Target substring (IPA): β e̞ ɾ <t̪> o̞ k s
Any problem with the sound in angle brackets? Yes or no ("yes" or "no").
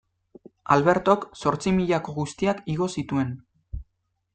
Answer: no